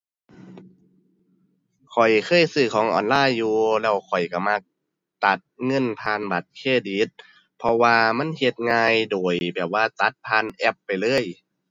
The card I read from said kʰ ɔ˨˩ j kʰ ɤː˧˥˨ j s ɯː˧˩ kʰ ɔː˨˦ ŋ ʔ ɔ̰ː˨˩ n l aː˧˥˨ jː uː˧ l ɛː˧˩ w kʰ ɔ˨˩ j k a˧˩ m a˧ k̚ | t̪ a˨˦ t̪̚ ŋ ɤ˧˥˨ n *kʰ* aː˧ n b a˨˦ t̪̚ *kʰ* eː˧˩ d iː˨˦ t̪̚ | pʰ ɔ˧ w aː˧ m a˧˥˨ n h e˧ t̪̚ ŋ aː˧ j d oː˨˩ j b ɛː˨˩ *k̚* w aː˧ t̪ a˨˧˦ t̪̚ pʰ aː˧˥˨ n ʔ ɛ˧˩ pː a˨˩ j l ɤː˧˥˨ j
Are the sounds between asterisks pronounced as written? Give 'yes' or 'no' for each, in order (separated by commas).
no, yes, no